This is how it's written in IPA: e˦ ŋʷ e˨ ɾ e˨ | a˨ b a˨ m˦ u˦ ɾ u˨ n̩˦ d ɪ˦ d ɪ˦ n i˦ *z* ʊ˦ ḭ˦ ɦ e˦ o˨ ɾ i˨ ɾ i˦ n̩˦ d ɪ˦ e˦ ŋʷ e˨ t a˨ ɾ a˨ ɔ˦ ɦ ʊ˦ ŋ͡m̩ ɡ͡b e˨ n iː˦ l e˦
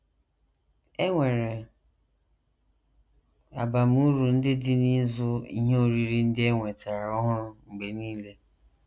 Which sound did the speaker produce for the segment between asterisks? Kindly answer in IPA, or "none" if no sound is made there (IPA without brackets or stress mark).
z